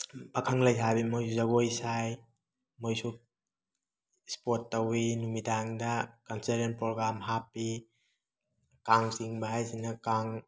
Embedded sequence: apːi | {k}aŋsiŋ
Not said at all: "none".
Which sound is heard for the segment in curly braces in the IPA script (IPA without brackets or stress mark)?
k